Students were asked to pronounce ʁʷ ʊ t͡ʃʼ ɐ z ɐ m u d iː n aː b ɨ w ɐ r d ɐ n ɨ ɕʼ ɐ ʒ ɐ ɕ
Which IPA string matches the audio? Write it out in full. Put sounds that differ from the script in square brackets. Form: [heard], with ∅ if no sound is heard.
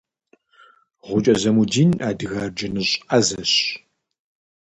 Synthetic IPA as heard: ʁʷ ʊ t͡ʃʼ ɐ z ɐ m u d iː n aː [d] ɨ [ɣ] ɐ r [d͡ʒ] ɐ n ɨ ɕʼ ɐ [z] ɐ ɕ